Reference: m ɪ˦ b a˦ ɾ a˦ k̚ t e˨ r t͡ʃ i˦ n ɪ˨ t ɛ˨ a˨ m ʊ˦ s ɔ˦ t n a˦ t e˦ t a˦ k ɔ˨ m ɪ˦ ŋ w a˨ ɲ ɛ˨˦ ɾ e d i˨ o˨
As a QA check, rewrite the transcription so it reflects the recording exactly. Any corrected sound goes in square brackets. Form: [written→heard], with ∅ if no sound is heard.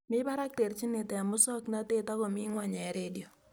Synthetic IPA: m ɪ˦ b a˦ ɾ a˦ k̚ t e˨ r t͡ʃ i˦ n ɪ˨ t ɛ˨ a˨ m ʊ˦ s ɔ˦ [t→k] n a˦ t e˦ t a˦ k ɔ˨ m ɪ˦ ŋ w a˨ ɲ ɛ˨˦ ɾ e d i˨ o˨